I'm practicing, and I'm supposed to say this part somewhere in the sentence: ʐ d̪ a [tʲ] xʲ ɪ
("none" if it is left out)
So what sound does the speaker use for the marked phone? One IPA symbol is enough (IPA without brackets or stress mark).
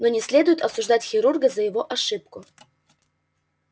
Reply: tʲ